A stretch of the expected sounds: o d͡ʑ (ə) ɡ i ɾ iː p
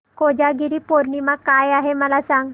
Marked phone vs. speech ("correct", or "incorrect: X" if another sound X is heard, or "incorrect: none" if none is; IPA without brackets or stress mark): incorrect: a